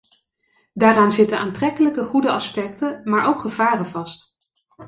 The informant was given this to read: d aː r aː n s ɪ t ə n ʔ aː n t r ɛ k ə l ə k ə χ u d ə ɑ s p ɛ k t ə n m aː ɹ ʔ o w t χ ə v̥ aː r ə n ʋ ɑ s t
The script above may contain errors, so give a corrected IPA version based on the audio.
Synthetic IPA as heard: d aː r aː n z ɪ t ə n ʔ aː n t r ɛ k ə l ə k ə χ u d ə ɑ s p ɛ k t ə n m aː ɹ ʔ o w k χ ə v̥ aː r ə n v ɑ s t